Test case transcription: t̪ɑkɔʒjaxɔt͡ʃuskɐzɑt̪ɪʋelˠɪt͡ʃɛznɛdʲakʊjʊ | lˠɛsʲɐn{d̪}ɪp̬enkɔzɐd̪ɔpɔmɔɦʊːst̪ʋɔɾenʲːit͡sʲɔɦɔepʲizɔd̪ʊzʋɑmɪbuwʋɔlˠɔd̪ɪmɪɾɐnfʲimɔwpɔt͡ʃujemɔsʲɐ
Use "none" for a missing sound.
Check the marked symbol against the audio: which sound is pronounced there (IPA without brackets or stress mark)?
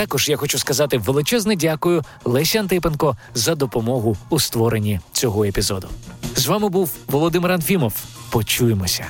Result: t̪